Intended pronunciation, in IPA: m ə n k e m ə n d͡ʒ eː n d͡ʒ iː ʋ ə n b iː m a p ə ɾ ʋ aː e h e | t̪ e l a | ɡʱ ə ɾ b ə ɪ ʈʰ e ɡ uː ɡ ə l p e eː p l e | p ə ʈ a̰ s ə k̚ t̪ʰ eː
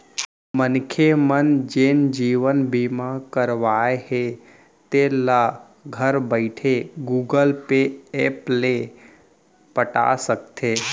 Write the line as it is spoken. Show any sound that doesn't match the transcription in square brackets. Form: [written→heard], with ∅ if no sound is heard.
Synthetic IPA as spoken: m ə n [k→kʰ] e m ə n d͡ʒ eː n d͡ʒ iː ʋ ə n b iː m a [p→k] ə ɾ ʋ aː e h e | t̪ e l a | ɡʱ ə ɾ b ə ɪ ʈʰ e ɡ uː ɡ ə l p e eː p l e | p ə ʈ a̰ s ə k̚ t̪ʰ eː